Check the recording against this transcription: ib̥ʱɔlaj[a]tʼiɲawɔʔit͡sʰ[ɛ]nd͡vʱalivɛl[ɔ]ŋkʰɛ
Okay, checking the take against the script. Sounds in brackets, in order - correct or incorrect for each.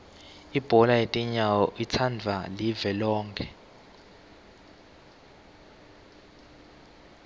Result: incorrect: e, incorrect: a, incorrect: ɔː

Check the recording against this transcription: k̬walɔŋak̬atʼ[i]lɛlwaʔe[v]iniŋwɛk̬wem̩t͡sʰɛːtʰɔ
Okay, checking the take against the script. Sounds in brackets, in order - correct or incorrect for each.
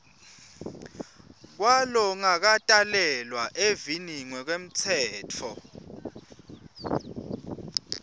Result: incorrect: a, correct

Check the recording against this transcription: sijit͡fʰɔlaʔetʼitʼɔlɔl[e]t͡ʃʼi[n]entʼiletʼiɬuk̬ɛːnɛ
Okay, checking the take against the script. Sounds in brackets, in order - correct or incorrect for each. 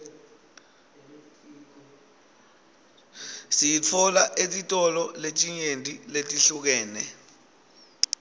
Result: correct, incorrect: ɲ

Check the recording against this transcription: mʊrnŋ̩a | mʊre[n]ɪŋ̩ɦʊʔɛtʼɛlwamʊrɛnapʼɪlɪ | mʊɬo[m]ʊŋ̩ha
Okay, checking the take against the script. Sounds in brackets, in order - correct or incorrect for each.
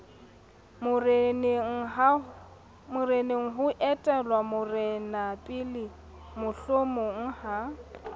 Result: correct, correct

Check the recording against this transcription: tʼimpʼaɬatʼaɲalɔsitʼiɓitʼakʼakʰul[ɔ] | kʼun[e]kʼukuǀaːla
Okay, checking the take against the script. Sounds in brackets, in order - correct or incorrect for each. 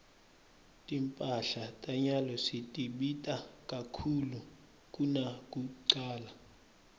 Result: incorrect: u, incorrect: a

